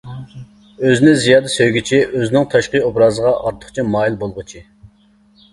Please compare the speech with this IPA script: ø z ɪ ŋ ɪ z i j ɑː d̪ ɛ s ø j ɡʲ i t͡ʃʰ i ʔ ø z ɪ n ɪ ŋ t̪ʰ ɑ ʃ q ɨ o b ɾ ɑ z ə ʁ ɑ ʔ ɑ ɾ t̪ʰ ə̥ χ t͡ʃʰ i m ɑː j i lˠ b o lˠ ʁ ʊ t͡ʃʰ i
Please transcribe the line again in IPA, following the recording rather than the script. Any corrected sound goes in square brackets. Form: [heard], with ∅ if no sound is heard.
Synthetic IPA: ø z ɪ [n] ɪ z i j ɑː d̪ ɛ s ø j ɡʲ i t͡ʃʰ i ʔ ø z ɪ n ɪ ŋ t̪ʰ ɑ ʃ q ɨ o b ɾ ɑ z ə ʁ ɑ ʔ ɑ ɾ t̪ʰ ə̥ χ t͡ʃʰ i m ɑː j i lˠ b o lˠ ʁ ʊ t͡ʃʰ i